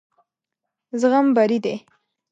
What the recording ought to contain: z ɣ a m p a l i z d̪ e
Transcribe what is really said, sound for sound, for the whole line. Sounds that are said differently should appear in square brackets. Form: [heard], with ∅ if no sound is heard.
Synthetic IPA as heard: z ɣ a m [b] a [ɾ] i [∅] d̪ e